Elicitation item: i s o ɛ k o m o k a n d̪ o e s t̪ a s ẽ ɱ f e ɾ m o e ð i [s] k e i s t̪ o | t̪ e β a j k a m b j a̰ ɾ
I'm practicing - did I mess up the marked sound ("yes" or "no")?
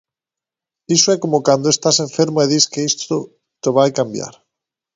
no